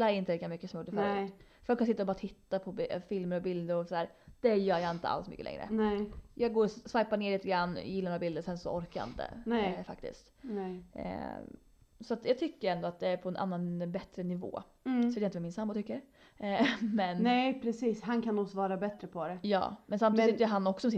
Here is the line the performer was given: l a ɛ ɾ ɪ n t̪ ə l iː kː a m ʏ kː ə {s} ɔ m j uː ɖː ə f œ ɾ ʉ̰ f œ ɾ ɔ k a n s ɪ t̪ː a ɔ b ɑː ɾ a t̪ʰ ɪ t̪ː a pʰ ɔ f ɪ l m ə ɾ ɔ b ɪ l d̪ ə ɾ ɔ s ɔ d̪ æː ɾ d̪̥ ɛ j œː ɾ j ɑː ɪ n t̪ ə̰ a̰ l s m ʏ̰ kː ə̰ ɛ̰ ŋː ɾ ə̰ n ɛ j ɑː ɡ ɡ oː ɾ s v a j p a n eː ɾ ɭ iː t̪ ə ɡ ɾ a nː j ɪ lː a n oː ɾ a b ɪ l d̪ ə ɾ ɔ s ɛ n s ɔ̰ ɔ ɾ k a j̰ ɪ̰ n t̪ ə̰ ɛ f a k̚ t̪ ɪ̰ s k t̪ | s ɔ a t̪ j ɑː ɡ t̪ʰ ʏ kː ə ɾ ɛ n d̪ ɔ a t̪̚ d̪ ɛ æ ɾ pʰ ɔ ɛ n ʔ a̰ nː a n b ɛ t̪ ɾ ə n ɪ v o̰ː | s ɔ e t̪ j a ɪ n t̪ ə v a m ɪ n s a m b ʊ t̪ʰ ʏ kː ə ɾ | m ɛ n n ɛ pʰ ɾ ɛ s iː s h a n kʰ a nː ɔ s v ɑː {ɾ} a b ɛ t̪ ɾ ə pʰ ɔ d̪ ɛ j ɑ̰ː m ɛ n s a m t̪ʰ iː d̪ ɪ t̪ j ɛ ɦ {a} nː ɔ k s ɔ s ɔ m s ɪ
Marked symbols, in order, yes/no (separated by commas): yes, yes, yes